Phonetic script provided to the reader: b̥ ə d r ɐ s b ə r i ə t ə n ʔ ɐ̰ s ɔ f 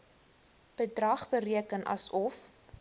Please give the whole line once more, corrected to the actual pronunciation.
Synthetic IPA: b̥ ə d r ɐ χ b ə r i ə k ə n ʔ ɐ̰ s ɔ f